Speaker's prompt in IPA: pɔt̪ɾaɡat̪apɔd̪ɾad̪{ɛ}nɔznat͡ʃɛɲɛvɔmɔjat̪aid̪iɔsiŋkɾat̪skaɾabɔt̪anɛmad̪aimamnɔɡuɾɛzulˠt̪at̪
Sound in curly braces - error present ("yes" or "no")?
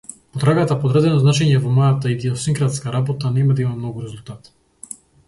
no